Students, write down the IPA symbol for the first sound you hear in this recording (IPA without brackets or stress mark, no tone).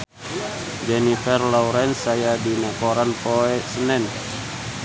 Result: d͡ʒ